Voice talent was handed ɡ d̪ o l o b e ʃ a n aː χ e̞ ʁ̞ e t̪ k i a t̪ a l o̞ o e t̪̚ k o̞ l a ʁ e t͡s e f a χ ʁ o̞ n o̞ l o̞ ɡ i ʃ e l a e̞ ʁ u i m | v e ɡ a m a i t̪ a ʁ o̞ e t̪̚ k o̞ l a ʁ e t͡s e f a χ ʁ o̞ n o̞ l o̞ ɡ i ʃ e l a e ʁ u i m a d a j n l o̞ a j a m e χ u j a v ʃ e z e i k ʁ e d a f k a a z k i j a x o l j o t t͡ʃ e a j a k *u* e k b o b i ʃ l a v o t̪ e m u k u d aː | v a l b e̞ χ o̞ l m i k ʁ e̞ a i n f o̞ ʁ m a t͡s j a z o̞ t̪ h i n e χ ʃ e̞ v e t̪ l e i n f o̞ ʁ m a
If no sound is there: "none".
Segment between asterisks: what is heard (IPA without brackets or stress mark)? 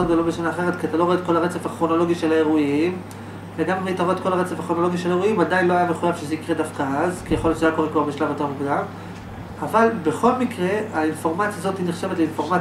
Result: o